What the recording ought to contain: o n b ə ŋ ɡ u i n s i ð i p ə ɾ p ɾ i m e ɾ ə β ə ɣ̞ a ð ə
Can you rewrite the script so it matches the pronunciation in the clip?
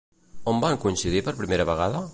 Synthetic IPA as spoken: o m b a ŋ k u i n s i ð i p ə ɾ p ɾ i m e ɾ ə β ə ɣ̞ a ð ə

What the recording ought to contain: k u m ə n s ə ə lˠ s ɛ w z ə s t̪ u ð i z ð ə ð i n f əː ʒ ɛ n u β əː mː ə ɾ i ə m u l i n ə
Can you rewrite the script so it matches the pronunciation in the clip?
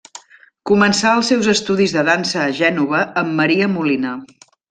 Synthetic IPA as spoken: k u m ə n s a ə lˠ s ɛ w z ə s t̪ u ð i z ð ə ð a n s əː ʒ ɛ n u β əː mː ə ɾ i ə m u l i n ə

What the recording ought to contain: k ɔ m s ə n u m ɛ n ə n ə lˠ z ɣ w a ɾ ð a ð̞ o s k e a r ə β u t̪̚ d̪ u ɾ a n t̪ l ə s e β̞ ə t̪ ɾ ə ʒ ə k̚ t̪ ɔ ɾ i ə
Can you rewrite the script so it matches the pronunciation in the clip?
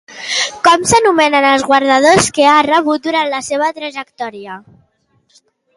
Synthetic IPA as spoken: k ɔ m s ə n u m ɛ n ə n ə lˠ z ɣ w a ɾ ð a ð̞ o s k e a r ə β u t̪̚ d̪ u ɾ a n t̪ l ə s e β̞ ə t̪ ɾ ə ʒ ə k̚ t̪ ɔ ɾ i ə

